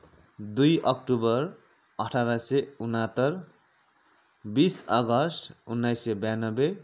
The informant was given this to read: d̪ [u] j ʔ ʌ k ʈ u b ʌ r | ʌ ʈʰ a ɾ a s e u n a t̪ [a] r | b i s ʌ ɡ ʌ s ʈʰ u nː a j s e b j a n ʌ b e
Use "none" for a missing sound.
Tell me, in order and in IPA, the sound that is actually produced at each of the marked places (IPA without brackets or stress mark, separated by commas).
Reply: u, ʌ